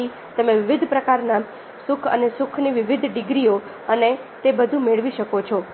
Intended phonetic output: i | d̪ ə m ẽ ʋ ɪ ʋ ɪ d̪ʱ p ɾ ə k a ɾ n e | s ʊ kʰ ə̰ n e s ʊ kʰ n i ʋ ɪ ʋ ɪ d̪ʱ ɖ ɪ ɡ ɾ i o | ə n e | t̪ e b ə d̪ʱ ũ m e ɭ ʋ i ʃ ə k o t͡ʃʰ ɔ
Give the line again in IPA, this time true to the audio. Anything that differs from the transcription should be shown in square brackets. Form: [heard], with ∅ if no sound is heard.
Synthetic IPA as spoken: i | [t̪] ə m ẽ ʋ ɪ ʋ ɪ d̪ʱ p ɾ ə k a ɾ n [a] | s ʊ kʰ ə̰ n e s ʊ kʰ n i ʋ ɪ ʋ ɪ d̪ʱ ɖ ɪ ɡ ɾ i o | ə n e | t̪ e b ə d̪ʱ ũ m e ɭ ʋ i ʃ ə k o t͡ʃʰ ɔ